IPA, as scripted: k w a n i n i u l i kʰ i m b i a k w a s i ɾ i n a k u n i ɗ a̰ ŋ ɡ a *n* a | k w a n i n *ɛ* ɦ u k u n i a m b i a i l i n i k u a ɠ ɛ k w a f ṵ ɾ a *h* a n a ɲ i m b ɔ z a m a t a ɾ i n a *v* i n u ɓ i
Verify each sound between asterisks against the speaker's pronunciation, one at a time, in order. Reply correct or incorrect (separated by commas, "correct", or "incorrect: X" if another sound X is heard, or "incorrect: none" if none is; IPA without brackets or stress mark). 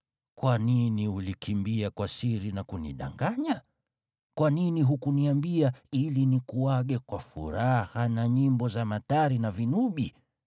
incorrect: ɲ, incorrect: i, correct, correct